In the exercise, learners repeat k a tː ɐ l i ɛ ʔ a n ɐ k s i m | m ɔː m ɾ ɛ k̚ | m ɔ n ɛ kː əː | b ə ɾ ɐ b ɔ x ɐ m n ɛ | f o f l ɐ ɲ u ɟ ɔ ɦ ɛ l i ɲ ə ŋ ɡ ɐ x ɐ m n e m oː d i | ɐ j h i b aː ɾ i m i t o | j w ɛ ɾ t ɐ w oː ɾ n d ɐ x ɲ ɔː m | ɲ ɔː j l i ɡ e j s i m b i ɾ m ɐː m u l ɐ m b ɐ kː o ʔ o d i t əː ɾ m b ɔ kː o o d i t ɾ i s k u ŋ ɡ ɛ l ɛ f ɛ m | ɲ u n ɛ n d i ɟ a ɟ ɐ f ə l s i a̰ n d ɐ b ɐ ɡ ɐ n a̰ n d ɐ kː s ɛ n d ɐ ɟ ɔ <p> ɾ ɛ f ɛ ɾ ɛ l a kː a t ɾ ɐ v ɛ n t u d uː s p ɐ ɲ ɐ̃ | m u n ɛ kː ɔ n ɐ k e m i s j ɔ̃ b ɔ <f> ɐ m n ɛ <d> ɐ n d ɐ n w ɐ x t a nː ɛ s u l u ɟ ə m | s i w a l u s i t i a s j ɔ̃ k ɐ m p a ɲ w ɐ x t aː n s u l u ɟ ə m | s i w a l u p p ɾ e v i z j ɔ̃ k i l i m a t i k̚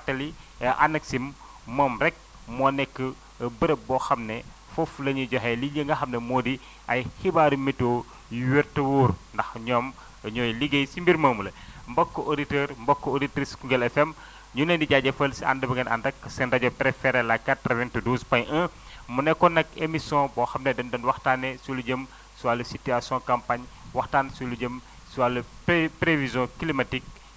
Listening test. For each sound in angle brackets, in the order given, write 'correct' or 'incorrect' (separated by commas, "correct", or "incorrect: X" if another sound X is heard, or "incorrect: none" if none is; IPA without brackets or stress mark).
correct, incorrect: x, correct